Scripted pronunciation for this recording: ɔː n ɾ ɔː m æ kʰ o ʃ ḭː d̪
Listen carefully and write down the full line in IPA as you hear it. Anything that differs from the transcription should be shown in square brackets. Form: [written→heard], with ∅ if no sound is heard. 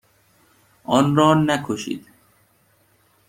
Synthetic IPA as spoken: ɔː n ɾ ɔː [m→n] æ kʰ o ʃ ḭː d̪